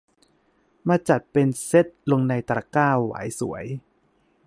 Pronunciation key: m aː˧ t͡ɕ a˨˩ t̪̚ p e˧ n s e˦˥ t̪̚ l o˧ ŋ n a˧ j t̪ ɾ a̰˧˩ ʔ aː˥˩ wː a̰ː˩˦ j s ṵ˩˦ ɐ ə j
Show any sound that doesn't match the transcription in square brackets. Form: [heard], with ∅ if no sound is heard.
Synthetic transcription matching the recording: m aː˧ t͡ɕ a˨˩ t̪̚ p e˧ n s e˦˥ t̪̚ l o˧ ŋ n a˧ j t̪ ɾ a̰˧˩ [k] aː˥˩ wː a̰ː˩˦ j s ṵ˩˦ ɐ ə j